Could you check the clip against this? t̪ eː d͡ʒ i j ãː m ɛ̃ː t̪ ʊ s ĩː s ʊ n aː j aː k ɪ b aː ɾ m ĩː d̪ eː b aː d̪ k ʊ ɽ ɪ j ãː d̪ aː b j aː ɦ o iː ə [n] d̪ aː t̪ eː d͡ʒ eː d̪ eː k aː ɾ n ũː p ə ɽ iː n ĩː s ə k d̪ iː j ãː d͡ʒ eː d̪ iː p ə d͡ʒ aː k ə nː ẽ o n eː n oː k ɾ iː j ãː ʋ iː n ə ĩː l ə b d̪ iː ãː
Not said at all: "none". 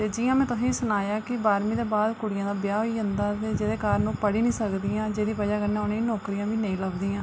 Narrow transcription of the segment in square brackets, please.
n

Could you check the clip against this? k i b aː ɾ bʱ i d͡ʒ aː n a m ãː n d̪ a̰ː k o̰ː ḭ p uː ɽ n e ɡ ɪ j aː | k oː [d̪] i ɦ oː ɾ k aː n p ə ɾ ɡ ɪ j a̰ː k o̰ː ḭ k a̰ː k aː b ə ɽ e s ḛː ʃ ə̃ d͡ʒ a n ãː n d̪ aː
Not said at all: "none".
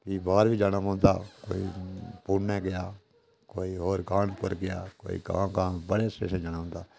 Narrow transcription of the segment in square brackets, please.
none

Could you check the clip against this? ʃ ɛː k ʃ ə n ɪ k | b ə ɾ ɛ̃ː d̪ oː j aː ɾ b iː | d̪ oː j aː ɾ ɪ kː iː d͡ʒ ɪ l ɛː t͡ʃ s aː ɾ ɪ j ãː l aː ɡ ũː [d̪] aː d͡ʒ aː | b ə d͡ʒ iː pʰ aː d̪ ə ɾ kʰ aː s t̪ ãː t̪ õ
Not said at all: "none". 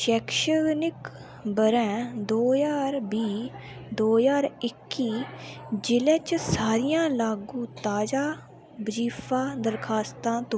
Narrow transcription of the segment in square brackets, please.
t̪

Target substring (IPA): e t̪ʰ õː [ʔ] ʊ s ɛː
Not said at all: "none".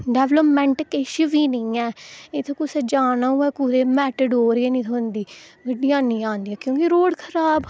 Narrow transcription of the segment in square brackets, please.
k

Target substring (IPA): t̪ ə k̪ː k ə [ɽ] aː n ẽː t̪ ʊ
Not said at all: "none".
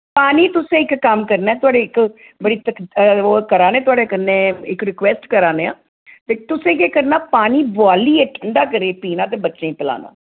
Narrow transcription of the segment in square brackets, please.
ɾ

